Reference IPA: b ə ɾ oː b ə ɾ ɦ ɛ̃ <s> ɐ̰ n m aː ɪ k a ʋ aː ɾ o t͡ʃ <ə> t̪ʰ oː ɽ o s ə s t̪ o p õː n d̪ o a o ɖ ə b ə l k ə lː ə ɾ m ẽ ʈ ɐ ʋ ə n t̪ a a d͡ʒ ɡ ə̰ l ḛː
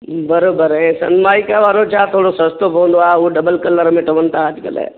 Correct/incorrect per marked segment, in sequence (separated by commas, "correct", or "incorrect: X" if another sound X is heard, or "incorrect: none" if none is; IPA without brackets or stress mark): correct, incorrect: a